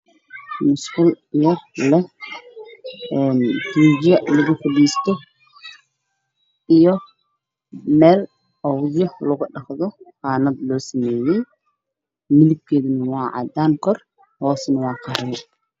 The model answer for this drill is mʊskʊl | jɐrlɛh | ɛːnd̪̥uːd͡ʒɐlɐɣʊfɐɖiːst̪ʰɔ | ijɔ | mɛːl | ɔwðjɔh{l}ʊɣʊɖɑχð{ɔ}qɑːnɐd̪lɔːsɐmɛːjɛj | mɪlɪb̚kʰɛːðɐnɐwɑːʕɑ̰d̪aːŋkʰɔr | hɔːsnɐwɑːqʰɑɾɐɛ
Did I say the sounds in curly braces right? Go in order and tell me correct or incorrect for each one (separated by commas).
correct, correct